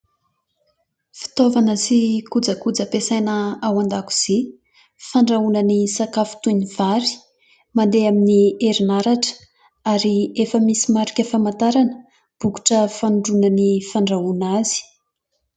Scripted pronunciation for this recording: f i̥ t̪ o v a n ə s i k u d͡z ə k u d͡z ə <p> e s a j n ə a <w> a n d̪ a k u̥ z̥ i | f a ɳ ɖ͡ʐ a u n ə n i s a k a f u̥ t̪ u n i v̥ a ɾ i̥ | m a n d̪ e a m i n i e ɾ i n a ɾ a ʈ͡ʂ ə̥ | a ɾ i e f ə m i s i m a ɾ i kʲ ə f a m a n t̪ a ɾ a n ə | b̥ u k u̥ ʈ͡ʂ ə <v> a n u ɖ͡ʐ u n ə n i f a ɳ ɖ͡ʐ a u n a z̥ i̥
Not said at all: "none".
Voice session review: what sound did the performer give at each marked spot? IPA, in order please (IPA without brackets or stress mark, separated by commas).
p, w, f